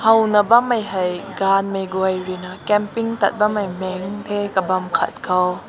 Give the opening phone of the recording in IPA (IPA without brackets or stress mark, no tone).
h